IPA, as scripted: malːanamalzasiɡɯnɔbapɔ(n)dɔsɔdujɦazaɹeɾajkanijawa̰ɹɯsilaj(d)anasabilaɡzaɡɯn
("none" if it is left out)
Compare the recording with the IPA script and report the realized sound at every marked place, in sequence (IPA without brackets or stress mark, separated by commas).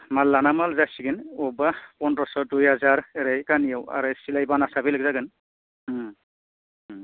n, b